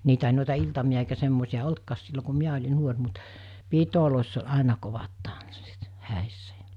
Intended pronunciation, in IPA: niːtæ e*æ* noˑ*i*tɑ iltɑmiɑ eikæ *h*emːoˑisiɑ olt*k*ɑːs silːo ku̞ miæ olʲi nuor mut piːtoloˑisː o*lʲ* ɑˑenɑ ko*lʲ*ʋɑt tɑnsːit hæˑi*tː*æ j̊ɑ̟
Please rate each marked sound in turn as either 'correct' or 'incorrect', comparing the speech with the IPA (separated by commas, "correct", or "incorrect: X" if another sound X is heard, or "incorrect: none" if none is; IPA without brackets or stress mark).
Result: incorrect: i, correct, incorrect: s, correct, correct, incorrect: none, incorrect: sː